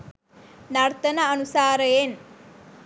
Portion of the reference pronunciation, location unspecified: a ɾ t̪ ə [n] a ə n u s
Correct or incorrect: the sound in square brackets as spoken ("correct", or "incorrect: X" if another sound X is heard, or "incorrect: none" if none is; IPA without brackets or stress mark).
correct